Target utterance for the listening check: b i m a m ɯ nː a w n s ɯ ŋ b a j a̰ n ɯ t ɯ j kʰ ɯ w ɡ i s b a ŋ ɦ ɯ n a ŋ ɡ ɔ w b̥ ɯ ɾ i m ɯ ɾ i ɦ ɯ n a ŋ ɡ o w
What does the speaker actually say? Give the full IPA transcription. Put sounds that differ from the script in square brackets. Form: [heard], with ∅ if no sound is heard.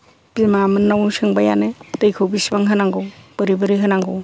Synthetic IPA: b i m a m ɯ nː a w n s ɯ ŋ b a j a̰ n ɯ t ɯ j kʰ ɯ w [b] i s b a ŋ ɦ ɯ n a ŋ ɡ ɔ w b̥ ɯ ɾ i [b] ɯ ɾ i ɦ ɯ n a ŋ ɡ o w